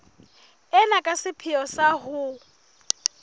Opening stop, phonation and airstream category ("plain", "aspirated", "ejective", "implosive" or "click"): ejective